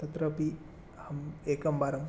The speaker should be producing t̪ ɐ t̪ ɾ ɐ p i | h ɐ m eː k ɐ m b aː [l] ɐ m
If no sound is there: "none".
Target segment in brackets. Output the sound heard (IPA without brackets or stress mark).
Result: ɾ